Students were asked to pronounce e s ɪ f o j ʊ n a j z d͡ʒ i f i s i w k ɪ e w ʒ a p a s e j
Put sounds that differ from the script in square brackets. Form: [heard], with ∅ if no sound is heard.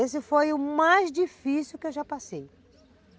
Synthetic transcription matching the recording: e s ɪ f o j ʊ [m] a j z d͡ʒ i f i s i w k ɪ e w ʒ a p a s e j

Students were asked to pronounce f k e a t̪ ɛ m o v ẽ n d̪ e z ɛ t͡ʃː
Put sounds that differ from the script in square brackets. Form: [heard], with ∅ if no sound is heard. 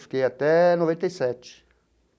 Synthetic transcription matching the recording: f k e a t̪ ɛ [n] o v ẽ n [t̪] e [s] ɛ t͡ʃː

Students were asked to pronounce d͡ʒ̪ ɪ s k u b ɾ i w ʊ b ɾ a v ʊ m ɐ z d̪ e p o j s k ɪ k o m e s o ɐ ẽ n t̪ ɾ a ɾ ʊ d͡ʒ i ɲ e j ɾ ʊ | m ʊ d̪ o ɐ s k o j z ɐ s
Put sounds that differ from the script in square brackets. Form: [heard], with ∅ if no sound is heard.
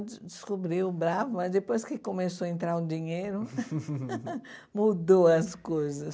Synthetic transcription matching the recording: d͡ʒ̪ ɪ s k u b ɾ i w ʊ b ɾ a v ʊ m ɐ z d̪ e p o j s k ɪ k o m e s o ɐ ẽ n t̪ ɾ a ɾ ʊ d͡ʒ i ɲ e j ɾ ʊ | m [u] d̪ o ɐ s k o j z ɐ s

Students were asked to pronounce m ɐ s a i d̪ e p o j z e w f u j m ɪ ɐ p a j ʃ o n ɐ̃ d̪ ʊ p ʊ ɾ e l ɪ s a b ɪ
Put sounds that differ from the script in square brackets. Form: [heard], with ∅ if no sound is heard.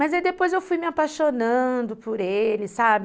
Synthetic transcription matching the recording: m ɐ [z] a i d̪ e p o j z e w f u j m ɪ [a] p a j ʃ o n ɐ̃ d̪ ʊ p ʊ ɾ e l ɪ s a b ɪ

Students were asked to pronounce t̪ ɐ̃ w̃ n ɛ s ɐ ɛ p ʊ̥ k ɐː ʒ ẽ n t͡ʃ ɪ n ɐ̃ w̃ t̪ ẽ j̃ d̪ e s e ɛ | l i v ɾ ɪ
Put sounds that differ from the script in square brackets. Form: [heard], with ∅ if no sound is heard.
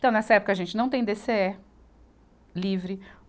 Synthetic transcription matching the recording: t̪ ɐ̃ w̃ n ɛ s ɐ ɛ p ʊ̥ k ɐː ʒ ẽ n t͡ʃ ɪ n ɐ̃ w̃ t̪ ẽ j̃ d̪ e s e ɛ | l i v ɾ ɪ

